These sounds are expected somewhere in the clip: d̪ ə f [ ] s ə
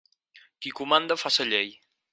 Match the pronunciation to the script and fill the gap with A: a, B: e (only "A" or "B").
A